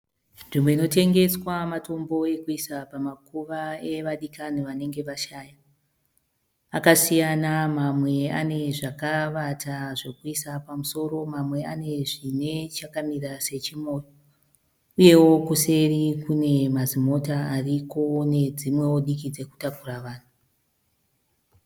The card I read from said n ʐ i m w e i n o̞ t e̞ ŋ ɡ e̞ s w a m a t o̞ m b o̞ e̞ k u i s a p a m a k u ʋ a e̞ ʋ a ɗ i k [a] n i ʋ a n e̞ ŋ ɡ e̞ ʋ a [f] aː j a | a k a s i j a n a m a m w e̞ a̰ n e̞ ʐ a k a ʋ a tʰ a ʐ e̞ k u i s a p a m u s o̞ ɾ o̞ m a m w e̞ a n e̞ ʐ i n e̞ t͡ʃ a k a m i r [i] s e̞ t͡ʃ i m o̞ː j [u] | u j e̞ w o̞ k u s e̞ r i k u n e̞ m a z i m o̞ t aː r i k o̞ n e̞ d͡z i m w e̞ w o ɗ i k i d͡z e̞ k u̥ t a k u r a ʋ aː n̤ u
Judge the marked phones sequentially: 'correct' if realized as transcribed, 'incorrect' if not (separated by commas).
correct, incorrect, incorrect, incorrect